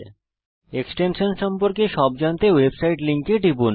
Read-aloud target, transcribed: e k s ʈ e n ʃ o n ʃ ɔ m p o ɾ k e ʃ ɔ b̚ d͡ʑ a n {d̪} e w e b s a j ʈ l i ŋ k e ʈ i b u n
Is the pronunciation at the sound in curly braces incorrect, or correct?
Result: incorrect